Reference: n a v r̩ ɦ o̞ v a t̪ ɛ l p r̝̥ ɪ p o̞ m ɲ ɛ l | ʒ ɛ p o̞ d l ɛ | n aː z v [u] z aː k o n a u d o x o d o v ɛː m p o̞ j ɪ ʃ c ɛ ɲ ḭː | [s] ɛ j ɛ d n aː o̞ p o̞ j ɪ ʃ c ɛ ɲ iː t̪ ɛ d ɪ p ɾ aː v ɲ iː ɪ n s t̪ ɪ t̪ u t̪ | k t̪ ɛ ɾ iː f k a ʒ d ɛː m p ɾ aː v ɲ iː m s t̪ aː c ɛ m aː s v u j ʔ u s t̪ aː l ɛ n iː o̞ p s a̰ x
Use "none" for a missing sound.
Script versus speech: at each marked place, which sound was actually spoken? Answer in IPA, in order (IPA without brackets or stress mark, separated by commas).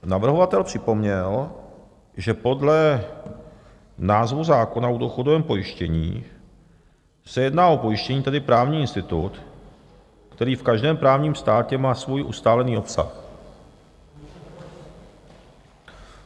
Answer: u, s